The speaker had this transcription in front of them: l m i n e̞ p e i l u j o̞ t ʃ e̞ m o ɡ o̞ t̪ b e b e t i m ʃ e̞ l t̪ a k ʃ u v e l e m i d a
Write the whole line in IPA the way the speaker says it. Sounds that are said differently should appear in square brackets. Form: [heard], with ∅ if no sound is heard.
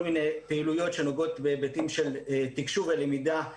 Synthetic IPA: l m i n e̞ p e i l u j o̞ t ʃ e̞ [n] o ɡ o̞ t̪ b e b e t i m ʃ e̞ l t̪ [i] k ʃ u v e l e m i d a